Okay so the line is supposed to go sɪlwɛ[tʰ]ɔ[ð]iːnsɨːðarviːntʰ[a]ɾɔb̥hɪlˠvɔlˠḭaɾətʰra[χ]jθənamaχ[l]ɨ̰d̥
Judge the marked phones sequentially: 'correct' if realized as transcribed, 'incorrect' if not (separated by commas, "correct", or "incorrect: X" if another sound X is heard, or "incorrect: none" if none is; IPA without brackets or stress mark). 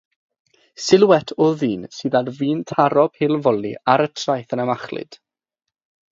correct, correct, correct, incorrect: none, correct